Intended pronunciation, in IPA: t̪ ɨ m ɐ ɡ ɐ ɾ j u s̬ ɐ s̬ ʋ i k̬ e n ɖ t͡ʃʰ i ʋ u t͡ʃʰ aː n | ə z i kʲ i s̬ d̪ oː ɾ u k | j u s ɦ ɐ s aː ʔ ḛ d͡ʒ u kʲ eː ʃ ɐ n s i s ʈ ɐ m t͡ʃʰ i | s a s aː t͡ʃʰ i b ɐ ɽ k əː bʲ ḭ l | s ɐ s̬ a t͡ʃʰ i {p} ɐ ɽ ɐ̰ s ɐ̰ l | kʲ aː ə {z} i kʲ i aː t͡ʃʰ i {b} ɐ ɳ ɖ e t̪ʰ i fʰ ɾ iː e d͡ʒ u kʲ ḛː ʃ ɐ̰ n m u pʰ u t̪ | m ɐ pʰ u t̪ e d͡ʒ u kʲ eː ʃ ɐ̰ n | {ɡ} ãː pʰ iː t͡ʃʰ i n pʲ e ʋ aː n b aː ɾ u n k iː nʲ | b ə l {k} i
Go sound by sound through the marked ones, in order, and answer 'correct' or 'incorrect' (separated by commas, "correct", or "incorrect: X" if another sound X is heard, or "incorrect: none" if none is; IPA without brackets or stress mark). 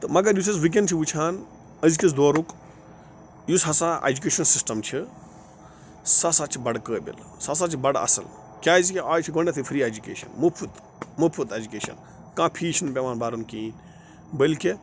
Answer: incorrect: b, correct, incorrect: ɡ, incorrect: k, correct